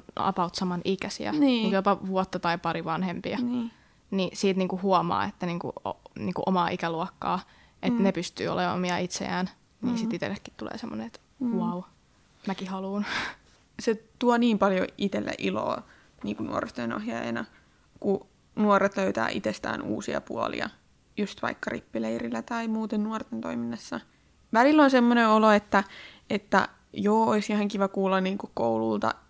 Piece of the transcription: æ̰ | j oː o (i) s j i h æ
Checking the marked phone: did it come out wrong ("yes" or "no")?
no